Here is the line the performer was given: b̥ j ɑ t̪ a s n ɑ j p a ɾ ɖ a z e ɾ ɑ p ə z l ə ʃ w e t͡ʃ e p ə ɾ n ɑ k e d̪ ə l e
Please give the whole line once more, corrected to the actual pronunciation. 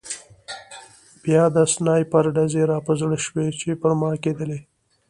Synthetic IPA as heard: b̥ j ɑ d̪ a s n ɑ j p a ɾ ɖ a z e ɾ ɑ p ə z ɽ ə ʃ w e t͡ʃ e p ə ɾ m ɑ k e d̪ ə l e